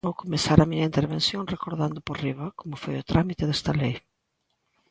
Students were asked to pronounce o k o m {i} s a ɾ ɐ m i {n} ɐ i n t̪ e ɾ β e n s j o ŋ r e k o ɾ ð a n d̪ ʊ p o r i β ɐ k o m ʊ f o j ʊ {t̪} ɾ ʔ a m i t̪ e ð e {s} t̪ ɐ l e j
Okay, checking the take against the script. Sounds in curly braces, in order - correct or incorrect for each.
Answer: incorrect: e, incorrect: ɲ, correct, correct

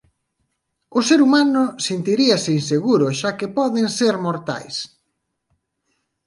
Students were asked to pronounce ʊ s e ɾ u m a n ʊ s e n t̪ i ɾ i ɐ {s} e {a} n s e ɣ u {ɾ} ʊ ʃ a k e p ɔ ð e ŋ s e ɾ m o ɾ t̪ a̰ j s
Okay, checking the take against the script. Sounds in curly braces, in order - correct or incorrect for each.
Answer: correct, incorrect: i, correct

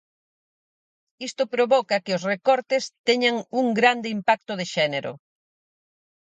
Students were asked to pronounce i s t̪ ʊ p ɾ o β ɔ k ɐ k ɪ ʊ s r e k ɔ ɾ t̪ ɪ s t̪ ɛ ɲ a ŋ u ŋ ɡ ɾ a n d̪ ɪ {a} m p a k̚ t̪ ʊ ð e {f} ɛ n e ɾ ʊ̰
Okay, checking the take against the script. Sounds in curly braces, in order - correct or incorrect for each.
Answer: incorrect: i, incorrect: ʃ

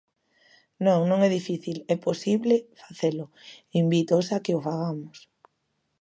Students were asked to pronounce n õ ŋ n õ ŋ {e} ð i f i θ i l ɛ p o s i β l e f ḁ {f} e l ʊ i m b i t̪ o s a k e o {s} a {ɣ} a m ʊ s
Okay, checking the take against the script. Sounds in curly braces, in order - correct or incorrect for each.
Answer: incorrect: ɛ, incorrect: θ, incorrect: f, correct

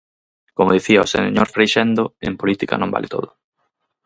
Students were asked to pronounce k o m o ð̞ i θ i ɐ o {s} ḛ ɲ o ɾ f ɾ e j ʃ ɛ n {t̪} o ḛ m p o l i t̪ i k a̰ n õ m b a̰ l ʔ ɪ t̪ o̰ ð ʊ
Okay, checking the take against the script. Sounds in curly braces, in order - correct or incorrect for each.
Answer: correct, incorrect: d̪

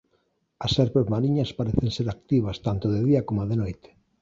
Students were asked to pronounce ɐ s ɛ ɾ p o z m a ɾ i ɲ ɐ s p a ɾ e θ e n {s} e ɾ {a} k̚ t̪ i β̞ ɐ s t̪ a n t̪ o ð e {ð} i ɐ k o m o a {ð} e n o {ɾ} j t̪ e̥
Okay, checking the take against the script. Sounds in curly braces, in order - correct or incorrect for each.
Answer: correct, correct, correct, correct, incorrect: none

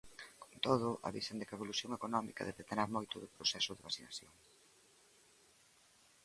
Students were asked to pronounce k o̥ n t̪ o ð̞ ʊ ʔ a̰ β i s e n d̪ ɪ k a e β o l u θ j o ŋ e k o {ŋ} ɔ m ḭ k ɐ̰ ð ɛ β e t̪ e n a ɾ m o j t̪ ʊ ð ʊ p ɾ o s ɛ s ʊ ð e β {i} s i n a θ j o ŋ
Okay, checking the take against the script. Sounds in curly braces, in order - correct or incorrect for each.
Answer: incorrect: n, incorrect: a

